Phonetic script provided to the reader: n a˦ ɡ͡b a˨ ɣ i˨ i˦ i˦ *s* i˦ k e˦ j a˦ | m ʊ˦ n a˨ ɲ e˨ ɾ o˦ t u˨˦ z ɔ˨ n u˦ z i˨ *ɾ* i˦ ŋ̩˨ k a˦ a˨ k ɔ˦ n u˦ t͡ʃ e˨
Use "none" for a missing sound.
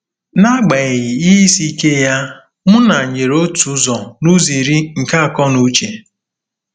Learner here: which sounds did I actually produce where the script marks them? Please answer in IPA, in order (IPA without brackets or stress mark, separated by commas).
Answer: s, ɾ